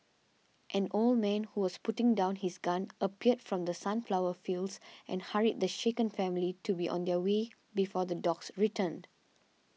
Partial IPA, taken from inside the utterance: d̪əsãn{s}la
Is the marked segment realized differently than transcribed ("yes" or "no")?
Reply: yes